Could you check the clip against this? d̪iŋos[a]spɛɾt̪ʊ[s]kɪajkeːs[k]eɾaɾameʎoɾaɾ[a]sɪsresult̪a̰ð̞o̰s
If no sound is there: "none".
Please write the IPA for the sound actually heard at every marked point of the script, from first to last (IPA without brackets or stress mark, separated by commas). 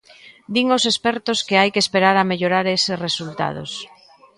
e, s, p, e